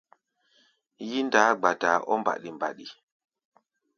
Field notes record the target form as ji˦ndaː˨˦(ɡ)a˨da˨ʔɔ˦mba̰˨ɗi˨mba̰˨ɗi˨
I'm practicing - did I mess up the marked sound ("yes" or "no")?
yes